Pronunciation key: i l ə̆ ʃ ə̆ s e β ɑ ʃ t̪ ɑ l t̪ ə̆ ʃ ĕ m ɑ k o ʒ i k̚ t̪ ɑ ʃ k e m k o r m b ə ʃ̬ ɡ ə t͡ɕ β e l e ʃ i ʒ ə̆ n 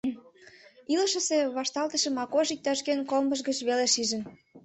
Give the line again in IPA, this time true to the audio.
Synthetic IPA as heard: i l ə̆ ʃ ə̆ s e β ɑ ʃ t̪ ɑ l t̪ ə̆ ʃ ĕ m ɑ k o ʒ i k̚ t̪ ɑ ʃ k e n k o l m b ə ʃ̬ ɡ ə t͡ɕ β e l e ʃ i ʒ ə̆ n